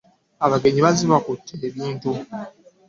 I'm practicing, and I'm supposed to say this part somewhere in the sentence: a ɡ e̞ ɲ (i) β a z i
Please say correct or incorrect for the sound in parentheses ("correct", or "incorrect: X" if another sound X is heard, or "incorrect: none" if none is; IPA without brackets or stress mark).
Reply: correct